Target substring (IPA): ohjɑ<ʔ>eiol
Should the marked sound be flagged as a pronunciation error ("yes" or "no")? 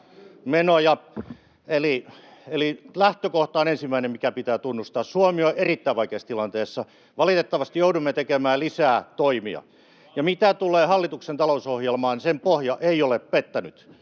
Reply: no